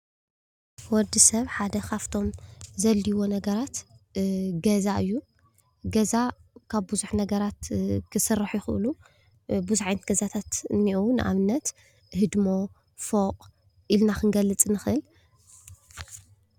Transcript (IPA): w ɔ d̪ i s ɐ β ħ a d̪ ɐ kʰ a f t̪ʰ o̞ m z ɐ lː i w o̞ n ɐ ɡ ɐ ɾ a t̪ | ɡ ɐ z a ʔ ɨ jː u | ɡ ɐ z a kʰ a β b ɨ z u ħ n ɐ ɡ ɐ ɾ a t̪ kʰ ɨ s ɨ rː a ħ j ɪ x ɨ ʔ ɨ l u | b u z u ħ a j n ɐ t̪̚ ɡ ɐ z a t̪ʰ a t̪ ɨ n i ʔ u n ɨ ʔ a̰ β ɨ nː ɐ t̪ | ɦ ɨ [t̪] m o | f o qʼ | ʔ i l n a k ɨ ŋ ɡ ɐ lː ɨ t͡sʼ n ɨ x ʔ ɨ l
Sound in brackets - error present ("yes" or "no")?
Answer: yes